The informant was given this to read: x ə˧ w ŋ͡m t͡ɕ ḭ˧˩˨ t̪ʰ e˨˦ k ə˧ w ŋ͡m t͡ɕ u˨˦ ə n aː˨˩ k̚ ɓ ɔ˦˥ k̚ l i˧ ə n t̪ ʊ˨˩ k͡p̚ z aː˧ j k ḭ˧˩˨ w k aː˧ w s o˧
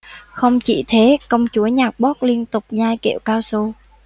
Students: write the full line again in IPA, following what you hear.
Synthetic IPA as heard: x ə˧ w ŋ͡m t͡ɕ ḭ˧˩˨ t̪ʰ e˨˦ k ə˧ w ŋ͡m t͡ɕ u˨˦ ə ɲ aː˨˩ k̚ ɓ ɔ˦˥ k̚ l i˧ ə n t̪ ʊ˨˩ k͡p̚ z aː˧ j k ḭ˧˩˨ w k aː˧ w s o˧